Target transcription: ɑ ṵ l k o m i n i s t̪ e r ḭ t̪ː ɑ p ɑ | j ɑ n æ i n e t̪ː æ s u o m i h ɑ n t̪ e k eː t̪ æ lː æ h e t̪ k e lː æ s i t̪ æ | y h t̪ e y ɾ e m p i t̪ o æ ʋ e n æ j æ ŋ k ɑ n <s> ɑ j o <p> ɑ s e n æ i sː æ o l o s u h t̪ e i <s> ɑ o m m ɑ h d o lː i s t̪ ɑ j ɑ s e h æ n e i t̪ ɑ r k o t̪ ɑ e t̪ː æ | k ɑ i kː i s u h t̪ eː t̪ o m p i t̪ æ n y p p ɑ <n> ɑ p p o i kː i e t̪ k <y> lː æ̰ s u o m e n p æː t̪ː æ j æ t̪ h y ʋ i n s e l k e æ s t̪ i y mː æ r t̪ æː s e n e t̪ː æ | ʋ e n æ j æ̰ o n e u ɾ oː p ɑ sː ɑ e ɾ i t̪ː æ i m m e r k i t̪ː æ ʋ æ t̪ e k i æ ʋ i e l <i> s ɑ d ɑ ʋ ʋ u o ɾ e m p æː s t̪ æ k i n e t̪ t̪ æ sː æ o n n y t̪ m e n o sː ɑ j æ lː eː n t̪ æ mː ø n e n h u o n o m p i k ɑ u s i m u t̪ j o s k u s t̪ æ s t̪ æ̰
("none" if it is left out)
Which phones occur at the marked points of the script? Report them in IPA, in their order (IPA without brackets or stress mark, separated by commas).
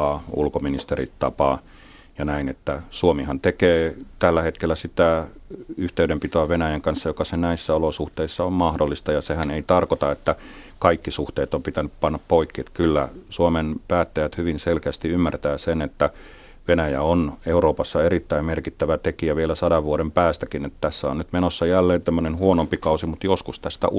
sː, k, sː, nː, y, æ